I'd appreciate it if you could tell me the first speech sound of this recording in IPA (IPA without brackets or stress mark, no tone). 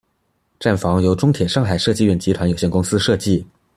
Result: ʈ͡ʂ